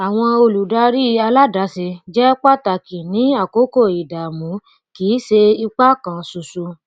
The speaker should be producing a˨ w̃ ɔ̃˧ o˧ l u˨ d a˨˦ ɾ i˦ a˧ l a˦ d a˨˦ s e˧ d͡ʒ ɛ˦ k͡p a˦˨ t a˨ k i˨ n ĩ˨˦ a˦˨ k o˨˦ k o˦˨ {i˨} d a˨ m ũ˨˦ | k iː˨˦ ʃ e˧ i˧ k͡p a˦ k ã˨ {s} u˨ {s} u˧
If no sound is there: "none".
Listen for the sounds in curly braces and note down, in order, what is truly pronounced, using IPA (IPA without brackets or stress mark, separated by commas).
i˨, s, s